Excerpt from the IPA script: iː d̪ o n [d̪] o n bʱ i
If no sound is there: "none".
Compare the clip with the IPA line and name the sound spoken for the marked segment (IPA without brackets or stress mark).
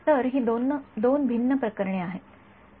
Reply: d̪